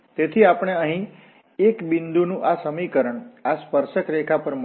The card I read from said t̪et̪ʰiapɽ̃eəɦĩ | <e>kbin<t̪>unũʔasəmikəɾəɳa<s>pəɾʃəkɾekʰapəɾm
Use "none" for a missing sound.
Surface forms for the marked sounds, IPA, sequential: e, d̪, s

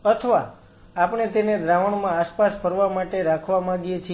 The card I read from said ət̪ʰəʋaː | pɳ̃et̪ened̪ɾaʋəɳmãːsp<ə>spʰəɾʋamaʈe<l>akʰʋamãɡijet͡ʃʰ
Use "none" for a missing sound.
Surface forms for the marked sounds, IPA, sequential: a, ɾ

